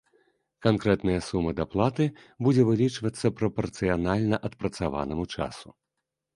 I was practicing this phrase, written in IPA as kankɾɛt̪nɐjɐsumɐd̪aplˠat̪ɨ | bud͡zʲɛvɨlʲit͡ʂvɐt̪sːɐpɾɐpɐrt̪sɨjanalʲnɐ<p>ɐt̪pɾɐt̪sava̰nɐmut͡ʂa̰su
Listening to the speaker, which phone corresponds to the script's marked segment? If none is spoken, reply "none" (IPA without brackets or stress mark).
ʔ